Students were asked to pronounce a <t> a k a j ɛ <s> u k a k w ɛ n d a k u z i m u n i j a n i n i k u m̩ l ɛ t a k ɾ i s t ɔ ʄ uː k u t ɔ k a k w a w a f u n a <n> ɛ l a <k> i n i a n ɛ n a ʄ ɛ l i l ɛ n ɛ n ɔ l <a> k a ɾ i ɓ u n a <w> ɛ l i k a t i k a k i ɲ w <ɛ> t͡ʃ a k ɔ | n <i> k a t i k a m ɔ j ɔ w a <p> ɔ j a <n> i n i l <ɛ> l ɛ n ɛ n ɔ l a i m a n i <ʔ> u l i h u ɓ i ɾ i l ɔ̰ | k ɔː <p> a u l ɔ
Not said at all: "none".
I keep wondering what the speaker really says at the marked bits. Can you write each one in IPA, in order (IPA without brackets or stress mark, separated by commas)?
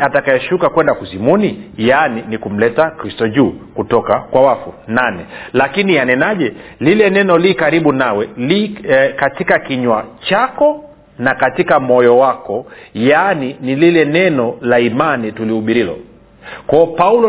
t, ʃ, n, k, i, w, a, a, k, n, i, t, p